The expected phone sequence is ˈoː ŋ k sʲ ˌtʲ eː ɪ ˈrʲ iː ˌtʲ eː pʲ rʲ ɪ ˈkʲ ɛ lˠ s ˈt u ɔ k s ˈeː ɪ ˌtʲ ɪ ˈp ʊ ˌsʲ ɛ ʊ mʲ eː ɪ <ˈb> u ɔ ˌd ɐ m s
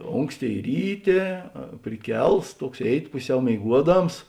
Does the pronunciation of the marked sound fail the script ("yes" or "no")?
yes